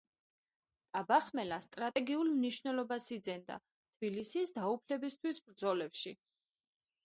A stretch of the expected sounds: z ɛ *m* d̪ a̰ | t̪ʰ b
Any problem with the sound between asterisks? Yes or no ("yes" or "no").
yes